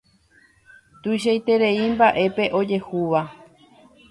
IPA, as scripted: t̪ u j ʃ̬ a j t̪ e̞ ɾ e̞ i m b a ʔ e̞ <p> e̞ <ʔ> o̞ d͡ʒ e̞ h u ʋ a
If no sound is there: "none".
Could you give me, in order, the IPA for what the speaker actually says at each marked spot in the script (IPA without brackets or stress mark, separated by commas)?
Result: p, ʔ